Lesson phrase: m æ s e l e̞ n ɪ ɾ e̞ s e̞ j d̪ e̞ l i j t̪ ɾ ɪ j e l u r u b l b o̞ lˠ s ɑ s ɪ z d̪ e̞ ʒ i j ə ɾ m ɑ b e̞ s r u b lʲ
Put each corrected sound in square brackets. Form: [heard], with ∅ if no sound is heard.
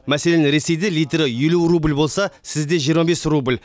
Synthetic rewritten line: m æ s e l e̞ n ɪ ɾ e̞ s e̞ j d̪ e̞ l i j t̪ ɾ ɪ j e l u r u b l b o̞ lˠ s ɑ s ɪ z d̪ e̞ ʒ i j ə ɾ m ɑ b e̞ s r u b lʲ